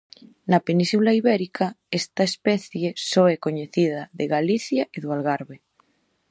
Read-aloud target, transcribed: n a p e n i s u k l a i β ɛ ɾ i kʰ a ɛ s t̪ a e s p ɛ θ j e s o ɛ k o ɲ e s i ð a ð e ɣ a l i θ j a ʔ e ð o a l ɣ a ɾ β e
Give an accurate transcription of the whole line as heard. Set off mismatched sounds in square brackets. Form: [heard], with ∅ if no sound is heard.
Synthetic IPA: n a p e n i s u [∅] l a i β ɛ ɾ i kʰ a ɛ s t̪ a e s p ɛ θ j e s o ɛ k o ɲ e [θ] i ð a ð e ɣ a l i θ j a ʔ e ð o a l ɣ a ɾ β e